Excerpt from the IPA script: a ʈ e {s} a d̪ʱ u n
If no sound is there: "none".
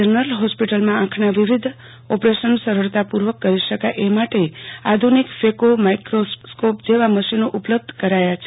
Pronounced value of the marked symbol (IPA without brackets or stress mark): none